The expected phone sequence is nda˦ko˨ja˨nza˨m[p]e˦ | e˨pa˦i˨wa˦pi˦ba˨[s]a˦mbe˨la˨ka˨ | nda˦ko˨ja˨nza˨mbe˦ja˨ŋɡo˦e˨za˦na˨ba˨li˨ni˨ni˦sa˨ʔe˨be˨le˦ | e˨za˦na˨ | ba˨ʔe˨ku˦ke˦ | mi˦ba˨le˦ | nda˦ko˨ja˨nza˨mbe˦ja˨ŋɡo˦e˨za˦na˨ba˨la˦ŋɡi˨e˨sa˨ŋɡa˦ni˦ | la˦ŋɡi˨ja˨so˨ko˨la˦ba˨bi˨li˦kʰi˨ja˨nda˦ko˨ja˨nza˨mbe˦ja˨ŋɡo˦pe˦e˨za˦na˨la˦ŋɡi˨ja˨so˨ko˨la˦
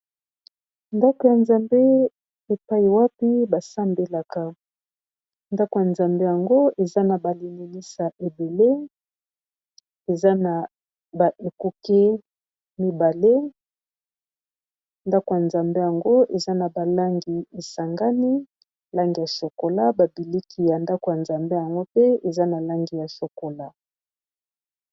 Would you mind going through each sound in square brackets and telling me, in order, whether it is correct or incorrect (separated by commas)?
incorrect, correct